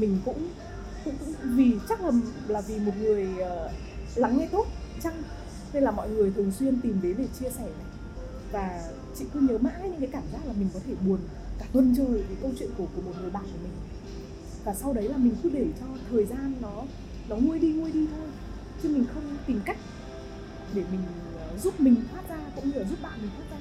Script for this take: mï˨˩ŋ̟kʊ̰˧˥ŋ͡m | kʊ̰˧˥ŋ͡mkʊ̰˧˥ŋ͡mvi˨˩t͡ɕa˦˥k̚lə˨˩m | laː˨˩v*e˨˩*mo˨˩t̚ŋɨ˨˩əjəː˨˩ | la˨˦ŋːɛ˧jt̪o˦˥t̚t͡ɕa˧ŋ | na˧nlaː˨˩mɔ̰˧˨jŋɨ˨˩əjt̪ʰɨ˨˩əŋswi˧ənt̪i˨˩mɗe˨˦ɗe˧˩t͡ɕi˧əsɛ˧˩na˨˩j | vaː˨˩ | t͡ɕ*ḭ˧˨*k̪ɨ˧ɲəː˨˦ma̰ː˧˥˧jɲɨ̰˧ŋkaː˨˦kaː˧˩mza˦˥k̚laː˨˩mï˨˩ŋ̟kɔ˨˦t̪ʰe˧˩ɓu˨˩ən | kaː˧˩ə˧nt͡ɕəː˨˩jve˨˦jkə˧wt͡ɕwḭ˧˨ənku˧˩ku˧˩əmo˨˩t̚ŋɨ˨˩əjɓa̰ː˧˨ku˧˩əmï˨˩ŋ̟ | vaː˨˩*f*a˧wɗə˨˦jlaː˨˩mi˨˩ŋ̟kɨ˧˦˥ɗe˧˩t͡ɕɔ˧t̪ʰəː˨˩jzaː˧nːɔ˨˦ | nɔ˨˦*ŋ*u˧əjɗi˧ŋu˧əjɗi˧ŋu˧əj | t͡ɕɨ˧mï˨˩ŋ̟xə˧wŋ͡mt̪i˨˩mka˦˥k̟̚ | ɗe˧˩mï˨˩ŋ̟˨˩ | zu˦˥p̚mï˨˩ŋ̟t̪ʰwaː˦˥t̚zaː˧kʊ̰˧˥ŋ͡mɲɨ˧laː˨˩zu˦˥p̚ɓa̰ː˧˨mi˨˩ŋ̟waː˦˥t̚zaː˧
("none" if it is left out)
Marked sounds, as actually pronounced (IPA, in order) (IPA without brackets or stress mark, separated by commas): i˨˩, ḭ˧˨, s, ŋ